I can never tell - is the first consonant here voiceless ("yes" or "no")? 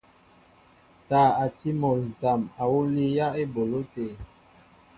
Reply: yes